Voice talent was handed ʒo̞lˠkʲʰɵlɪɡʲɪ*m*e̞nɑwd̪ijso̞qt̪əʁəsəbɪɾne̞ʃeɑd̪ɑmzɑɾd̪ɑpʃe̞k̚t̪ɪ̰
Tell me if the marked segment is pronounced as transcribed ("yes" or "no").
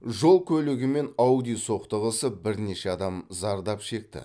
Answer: yes